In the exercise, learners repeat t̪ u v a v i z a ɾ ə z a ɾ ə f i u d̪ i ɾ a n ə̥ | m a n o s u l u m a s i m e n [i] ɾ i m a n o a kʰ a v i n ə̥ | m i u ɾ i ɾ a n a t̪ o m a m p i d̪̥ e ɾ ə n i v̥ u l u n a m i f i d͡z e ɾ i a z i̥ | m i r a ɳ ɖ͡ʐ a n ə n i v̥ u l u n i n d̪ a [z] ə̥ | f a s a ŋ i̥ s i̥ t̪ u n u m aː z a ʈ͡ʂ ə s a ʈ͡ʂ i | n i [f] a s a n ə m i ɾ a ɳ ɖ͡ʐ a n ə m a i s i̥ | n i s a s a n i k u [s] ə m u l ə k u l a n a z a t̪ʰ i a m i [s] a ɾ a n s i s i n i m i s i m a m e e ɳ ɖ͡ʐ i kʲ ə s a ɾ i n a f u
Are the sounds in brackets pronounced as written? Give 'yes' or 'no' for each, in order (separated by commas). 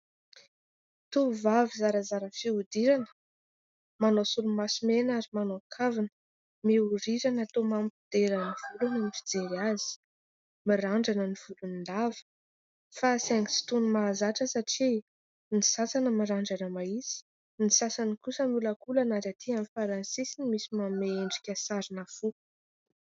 no, no, no, yes, no